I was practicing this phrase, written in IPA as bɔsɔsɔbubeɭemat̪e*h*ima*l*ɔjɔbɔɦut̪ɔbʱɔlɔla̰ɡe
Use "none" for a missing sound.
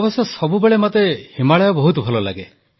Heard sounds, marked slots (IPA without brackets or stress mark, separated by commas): h, ɭ